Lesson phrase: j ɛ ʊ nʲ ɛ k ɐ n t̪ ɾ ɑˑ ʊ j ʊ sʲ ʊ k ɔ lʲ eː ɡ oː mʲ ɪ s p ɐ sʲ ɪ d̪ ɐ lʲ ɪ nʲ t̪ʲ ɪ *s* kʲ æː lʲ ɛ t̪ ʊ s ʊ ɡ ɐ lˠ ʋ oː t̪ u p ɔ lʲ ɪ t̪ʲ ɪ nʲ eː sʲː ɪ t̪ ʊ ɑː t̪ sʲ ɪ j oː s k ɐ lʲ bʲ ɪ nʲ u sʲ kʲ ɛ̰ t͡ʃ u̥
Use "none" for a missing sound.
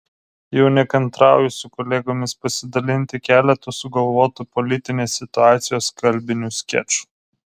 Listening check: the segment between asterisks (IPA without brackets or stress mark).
none